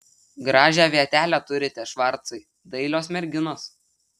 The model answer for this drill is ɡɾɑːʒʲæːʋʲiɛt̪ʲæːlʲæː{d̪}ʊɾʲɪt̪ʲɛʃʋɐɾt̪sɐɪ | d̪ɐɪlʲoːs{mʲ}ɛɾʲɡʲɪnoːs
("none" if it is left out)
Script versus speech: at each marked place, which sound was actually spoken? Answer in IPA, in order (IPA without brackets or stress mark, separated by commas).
t̪, mʲ